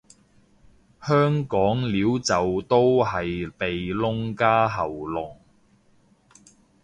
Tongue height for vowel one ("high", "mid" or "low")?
mid